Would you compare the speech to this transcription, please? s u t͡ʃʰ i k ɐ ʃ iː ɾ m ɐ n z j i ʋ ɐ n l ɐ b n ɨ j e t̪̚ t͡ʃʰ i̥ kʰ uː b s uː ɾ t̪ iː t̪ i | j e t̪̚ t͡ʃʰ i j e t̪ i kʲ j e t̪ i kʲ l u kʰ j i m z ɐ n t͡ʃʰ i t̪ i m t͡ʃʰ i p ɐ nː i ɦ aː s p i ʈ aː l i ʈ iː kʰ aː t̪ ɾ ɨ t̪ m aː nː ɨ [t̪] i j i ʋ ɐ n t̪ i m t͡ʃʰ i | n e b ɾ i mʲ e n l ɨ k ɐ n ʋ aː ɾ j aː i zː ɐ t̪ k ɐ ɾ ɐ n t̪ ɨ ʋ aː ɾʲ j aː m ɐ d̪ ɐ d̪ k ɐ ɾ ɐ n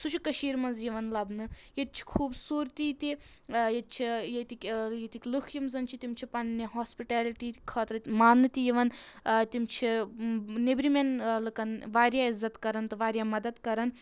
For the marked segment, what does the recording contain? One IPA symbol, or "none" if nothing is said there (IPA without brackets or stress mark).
t̪